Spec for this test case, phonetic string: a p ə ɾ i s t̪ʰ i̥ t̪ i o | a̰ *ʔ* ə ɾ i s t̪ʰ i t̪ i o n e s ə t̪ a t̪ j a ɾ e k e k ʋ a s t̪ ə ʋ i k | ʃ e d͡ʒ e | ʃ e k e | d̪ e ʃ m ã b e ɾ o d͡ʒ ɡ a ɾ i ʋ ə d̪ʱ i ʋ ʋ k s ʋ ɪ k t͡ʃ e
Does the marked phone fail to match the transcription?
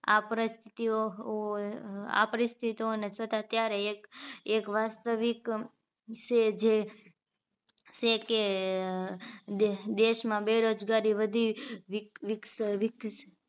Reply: yes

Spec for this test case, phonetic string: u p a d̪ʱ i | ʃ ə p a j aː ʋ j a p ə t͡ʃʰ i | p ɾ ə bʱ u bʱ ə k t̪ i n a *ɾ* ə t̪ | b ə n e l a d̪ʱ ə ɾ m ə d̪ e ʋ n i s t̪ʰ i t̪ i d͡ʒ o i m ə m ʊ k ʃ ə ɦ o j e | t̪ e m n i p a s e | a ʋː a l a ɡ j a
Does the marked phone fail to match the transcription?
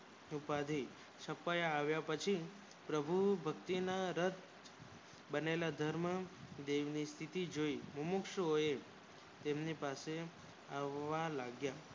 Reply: no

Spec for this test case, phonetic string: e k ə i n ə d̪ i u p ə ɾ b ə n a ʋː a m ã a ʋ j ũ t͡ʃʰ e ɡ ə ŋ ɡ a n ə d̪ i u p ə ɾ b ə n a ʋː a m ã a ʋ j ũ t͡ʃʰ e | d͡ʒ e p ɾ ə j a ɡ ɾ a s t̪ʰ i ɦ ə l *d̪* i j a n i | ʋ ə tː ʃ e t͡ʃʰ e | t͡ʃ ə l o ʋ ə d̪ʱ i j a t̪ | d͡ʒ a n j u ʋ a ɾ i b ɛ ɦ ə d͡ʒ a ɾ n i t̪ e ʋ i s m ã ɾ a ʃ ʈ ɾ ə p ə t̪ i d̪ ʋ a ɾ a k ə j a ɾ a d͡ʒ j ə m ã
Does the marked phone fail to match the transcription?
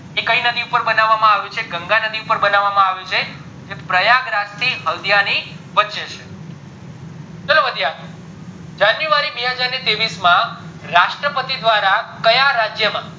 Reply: no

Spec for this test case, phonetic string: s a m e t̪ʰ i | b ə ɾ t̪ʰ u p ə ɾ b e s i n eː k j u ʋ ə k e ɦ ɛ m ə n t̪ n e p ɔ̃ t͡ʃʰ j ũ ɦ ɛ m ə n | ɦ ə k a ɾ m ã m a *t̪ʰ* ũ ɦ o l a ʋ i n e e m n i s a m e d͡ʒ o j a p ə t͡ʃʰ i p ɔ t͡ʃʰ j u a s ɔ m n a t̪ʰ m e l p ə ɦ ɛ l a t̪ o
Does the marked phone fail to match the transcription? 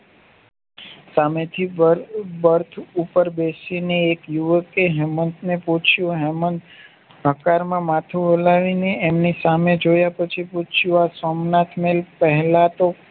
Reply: no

